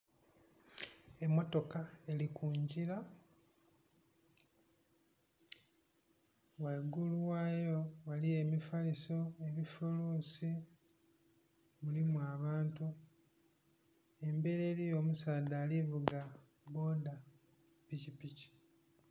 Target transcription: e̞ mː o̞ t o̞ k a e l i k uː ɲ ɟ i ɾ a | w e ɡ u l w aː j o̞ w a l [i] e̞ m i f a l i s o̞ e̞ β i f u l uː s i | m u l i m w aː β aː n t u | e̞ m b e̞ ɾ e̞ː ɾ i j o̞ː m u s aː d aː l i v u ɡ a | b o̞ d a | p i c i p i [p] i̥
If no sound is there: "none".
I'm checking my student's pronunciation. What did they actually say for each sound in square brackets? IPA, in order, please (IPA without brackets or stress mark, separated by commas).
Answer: i, c